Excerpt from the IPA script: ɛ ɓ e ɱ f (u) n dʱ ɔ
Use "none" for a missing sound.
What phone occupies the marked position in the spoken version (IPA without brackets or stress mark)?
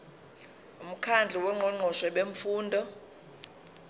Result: uː